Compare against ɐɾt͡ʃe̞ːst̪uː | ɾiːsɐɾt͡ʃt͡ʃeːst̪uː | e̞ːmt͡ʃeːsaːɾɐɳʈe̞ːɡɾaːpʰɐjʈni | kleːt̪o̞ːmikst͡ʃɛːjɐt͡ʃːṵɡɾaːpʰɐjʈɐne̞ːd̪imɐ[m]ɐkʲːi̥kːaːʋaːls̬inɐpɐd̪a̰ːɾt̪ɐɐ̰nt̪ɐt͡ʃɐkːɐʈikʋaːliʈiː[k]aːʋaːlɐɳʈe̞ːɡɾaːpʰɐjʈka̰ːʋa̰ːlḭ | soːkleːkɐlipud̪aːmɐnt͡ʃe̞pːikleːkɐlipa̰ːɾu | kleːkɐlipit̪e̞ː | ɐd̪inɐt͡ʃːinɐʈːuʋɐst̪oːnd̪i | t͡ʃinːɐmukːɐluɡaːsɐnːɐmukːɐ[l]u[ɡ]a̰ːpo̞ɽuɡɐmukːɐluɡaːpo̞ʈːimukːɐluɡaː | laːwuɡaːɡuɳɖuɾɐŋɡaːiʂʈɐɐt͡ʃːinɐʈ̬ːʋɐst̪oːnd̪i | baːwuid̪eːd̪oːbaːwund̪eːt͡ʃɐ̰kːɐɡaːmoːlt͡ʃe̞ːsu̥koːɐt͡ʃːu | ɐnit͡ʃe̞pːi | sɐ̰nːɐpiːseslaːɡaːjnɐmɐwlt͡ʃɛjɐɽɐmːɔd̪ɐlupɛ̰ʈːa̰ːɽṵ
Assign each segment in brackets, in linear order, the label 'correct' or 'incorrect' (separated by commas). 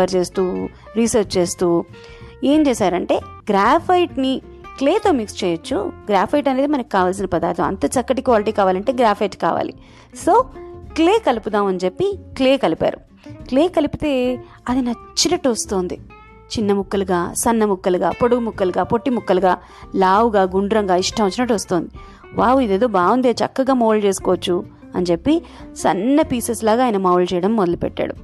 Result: incorrect, correct, correct, correct